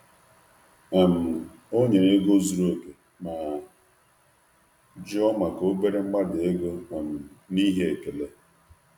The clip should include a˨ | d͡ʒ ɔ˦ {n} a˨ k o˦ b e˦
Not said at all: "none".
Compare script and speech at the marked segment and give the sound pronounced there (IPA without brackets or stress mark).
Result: m